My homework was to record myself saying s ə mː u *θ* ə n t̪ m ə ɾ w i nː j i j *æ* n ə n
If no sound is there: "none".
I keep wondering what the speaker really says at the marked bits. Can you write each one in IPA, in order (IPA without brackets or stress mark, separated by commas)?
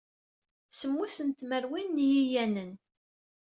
s, æ